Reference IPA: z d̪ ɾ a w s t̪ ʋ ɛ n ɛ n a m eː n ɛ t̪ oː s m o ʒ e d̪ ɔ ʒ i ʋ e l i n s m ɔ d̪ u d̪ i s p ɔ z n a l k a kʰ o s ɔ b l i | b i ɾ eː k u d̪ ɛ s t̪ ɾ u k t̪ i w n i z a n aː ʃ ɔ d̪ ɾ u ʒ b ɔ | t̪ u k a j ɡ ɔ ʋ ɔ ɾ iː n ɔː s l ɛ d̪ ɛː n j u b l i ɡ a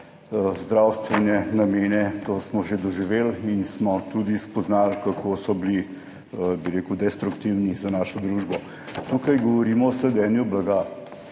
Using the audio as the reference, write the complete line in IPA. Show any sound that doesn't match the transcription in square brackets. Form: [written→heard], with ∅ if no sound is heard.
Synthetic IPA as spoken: z d̪ ɾ a w s t̪ ʋ ɛ n ɛ n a m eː n ɛ t̪ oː s m [o→ɔ] ʒ e d̪ ɔ ʒ i ʋ e l i n s m ɔ [d̪→t̪] u d̪ i s p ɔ z n a l k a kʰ o s ɔ b l i | b i ɾ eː k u d̪ ɛ s t̪ ɾ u k t̪ i w n i z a n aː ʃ ɔ d̪ ɾ u ʒ b ɔ | t̪ u k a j ɡ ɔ ʋ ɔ ɾ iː [n→m] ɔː s l ɛ d̪ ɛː n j u b l [i→a] ɡ a